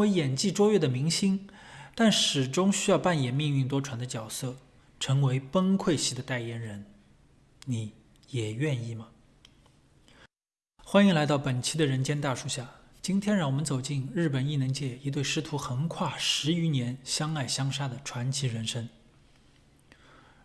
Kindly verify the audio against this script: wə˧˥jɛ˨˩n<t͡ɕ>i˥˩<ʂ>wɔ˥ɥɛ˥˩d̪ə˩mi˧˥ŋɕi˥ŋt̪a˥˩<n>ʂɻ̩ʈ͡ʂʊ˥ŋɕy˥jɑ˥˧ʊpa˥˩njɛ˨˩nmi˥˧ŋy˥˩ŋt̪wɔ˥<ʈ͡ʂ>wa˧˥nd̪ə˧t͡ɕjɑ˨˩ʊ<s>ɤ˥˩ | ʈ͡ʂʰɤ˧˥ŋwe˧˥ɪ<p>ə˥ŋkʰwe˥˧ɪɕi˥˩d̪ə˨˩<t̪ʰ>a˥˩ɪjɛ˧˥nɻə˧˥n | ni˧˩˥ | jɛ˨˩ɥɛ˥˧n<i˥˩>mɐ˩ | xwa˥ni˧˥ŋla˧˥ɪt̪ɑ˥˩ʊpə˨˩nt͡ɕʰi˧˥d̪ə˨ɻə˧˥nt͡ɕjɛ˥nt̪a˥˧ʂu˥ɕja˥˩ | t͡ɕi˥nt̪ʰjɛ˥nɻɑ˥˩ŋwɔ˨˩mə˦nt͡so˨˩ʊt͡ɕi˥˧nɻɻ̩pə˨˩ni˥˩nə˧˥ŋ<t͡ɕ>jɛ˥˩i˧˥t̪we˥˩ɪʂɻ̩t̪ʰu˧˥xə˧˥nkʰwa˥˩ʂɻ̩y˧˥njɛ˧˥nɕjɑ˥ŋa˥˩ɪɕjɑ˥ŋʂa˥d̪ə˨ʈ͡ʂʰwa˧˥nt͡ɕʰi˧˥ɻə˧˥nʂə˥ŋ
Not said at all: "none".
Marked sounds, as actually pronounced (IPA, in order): t͡ɕ, ʈ͡ʂ, n, ʈ͡ʂʰ, s, p, t̪, i˥˩, t͡ɕ

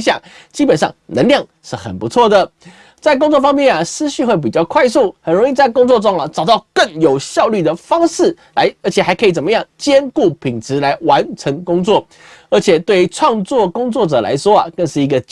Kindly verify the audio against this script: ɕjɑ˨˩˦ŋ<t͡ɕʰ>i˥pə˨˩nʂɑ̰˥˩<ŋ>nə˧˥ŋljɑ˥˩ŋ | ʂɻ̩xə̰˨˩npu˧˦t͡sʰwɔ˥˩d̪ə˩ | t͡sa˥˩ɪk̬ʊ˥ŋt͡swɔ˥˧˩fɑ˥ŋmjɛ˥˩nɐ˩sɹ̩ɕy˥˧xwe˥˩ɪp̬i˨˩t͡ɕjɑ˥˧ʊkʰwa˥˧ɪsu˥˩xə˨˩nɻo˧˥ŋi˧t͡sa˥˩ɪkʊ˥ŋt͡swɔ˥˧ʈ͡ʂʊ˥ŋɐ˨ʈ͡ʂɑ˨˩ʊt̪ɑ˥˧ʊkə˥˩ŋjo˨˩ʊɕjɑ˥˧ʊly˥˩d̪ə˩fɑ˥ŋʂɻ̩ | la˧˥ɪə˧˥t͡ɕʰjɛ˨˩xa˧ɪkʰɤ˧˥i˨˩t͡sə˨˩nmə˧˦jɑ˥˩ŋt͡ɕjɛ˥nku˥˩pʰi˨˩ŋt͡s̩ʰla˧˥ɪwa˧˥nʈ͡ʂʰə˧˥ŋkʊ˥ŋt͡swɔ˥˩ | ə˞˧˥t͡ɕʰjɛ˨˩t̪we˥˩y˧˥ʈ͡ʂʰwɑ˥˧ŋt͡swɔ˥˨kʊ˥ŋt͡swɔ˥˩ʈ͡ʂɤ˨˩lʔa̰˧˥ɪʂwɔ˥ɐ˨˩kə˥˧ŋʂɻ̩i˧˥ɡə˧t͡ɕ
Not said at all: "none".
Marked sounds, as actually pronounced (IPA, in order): t͡ɕ, ŋ

